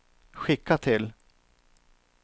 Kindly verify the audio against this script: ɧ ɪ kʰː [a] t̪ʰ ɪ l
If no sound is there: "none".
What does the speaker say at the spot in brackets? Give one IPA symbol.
a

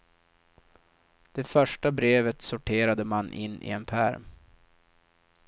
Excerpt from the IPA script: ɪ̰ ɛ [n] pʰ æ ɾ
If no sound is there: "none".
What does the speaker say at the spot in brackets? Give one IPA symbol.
n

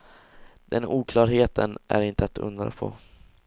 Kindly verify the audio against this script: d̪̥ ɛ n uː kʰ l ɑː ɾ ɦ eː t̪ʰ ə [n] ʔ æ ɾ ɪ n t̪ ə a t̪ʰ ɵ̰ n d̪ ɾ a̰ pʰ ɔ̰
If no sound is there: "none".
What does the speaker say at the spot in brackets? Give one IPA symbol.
n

